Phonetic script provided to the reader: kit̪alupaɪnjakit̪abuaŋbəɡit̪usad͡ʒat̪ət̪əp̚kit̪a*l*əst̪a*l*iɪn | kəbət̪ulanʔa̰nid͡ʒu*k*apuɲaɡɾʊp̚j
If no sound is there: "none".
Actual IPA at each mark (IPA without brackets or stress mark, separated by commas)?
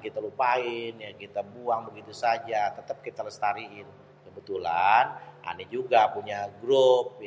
l, ɾ, ɡ